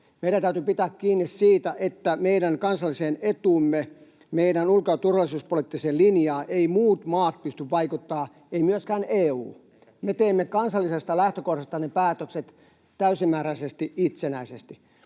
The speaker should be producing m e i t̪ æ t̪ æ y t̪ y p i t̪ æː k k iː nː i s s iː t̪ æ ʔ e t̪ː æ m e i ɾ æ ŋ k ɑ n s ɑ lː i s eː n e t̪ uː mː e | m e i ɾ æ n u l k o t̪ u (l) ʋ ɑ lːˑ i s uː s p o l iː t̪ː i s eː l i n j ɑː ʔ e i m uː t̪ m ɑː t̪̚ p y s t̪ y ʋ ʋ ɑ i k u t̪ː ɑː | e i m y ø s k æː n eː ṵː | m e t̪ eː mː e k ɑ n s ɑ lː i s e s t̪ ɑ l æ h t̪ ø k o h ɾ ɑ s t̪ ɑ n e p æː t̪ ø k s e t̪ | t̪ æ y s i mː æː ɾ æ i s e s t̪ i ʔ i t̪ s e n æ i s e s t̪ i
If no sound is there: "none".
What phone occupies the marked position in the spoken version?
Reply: r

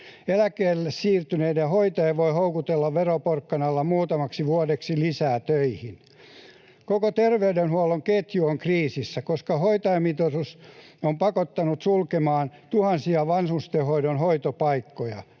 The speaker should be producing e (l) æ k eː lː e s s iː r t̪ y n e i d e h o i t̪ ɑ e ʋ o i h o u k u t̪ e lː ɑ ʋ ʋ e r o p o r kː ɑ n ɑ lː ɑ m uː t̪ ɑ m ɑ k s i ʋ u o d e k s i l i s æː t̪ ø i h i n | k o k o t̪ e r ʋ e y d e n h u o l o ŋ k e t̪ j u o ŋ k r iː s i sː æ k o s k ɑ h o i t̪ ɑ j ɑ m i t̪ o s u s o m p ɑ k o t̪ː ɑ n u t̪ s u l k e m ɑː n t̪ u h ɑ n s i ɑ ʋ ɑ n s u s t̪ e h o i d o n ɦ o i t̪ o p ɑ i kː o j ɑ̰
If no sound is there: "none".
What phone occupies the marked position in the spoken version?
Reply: l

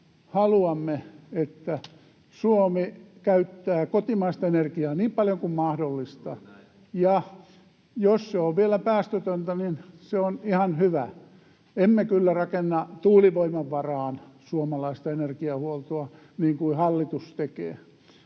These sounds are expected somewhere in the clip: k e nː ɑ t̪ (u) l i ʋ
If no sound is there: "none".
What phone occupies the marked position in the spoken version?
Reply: uː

